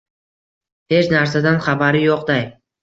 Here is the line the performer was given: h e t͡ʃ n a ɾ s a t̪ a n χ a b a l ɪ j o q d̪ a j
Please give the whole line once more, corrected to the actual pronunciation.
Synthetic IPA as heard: h e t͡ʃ n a ɾ s a d̪ a n χ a b a ɾ ɪ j o q d̪ a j